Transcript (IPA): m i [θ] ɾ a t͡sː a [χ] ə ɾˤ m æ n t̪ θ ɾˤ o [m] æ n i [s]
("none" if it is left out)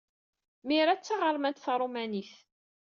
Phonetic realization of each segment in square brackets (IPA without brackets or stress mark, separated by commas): none, ʁ, m, θ